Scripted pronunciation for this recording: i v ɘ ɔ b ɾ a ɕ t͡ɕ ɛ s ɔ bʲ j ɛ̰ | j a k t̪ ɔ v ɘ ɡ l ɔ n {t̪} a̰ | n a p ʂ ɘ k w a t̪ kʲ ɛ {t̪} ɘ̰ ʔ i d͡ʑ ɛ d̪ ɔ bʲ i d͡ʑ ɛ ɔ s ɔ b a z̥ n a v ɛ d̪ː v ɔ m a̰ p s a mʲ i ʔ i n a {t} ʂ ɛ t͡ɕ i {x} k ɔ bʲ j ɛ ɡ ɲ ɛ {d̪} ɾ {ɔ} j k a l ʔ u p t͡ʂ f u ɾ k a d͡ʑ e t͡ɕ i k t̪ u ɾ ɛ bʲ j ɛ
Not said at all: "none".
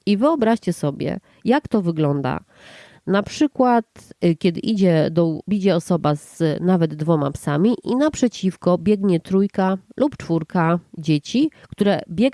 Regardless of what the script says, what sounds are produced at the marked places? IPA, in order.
d̪, d̪, p, f, t̪, u

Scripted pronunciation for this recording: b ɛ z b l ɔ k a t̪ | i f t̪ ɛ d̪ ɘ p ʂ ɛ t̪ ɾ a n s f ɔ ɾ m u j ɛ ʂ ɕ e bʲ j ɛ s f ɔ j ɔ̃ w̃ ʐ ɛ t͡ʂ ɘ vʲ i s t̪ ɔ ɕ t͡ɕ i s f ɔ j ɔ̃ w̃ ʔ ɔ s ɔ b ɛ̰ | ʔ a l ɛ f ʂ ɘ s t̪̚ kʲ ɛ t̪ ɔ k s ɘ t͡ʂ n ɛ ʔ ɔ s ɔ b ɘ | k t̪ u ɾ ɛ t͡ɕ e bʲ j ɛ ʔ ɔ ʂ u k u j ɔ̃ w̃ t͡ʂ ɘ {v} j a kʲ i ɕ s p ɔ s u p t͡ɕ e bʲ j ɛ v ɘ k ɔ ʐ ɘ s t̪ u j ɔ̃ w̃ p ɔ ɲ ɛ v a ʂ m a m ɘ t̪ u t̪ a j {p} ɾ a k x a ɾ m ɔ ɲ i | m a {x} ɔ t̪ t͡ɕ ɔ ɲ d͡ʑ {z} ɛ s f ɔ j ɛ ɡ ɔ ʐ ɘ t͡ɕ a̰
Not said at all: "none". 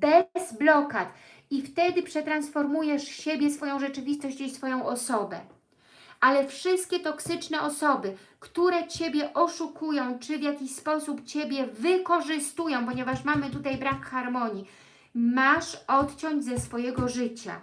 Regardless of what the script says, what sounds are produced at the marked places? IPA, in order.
v, b, ʂ, z

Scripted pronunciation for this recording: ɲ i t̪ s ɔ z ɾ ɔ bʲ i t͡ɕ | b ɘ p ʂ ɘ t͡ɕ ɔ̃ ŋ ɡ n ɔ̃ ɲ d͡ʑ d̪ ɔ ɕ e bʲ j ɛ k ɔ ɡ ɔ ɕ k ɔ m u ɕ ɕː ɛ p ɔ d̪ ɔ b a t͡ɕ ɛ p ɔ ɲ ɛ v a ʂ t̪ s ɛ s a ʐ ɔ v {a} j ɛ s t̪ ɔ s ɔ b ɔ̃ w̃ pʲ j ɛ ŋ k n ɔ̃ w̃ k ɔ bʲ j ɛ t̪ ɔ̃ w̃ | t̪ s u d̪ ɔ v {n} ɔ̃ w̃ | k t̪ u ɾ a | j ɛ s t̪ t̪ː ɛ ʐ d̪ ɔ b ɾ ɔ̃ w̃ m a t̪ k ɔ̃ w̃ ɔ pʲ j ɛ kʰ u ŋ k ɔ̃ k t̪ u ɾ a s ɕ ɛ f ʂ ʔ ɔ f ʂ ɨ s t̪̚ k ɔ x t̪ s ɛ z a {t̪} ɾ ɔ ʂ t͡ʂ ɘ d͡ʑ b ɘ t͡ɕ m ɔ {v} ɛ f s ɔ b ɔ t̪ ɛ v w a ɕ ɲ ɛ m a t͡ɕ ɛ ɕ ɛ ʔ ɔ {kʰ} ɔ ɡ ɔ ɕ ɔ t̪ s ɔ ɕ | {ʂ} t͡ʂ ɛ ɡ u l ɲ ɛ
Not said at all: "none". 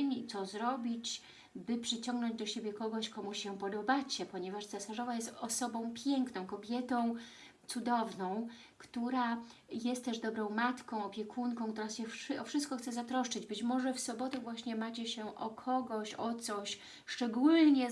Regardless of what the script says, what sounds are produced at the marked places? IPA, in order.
a, n, t̪, ʐ, kʰ, ʂ

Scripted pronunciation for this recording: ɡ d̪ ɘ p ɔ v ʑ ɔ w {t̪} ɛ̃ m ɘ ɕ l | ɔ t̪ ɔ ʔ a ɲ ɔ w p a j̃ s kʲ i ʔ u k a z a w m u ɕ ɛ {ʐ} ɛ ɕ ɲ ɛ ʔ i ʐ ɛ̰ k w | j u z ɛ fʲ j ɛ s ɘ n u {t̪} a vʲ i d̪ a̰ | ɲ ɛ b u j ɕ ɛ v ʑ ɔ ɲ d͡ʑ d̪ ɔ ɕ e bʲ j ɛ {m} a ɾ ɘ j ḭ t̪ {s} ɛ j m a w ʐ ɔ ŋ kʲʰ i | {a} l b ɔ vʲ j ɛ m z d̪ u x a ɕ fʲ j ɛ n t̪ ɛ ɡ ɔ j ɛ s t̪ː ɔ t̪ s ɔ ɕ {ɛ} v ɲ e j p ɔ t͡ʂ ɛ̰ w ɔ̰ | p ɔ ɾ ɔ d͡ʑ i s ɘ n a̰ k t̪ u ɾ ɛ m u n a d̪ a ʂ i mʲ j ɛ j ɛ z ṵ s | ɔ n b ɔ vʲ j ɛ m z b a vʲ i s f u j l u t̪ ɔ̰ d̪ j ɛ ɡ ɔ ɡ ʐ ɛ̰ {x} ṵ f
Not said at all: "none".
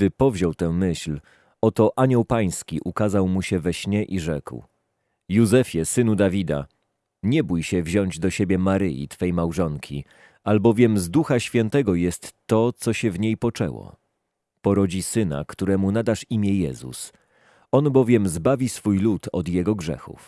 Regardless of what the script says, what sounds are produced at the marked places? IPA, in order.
t̪, v, d̪, m, f, a, ɛ, x

